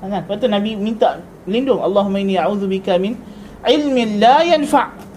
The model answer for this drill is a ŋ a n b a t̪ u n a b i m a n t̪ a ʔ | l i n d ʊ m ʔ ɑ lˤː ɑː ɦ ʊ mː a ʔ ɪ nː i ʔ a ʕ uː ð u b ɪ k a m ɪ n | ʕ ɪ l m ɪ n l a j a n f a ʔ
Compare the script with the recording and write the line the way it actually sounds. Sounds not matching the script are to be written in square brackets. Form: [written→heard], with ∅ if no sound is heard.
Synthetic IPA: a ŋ a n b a t̪ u n a b i m [a→i] n t̪ a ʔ | l i n d ʊ [m→ŋ] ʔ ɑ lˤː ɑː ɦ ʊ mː a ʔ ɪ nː i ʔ a ʕ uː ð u b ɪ k a m ɪ n | ʕ ɪ l m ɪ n l a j a n f a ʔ